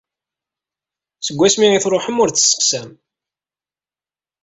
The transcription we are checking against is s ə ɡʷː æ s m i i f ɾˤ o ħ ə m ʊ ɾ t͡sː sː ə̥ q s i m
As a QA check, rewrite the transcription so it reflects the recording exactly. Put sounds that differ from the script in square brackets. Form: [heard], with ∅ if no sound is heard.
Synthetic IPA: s ə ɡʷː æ s m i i [θ] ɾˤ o ħ ə m ʊ ɾ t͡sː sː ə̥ q s [æ] m